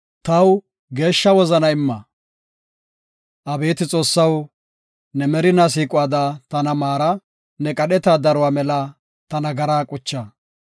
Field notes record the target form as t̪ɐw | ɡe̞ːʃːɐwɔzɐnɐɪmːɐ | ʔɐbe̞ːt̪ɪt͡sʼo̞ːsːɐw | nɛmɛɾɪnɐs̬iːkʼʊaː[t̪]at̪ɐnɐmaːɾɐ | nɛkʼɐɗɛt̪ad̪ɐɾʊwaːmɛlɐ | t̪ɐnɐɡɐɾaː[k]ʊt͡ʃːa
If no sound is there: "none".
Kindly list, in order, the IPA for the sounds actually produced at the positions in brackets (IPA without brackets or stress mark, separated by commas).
d̪, kʼ